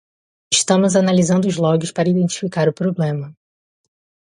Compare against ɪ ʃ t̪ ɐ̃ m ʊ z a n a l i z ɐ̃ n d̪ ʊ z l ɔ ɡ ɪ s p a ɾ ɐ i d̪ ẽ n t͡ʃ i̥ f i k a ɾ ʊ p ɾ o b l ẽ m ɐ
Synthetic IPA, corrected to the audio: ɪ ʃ t̪ ɐ̃ m ʊ z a n a l i z ɐ̃ n d̪ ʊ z l ɔ ɡ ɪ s p a ɾ ɐ i d̪ ẽ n t͡ʃ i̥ f i k a ɾ ʊ p ɾ o b l ẽ m ɐ